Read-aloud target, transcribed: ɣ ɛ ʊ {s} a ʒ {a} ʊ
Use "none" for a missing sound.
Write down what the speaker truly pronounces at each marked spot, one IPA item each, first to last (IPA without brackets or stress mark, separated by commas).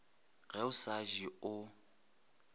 s, i